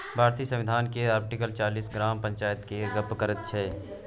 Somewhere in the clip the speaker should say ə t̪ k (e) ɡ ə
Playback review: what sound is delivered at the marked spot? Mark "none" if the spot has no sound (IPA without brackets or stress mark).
e